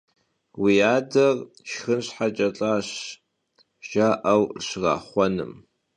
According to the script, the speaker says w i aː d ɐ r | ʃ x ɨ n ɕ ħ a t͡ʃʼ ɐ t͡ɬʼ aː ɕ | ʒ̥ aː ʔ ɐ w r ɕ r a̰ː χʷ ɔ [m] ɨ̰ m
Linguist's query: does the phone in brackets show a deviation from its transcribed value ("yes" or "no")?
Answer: yes